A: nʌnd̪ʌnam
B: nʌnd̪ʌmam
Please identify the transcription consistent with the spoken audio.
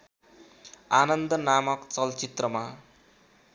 A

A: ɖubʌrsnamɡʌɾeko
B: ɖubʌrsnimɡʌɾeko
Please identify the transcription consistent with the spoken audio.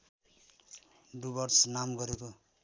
A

